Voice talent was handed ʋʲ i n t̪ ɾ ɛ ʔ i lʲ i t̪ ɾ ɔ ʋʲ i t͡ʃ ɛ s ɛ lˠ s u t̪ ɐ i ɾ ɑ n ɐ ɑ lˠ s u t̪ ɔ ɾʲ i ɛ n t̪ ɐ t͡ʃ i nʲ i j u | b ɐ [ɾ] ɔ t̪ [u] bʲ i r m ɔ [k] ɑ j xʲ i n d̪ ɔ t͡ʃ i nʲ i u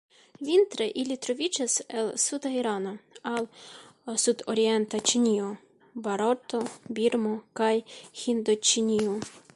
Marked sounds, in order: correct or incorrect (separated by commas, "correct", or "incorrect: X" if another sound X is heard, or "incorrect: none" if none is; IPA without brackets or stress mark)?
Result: correct, incorrect: ɔ, correct